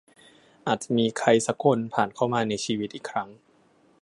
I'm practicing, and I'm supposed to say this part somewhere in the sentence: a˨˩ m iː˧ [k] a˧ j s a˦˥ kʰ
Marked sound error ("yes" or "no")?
yes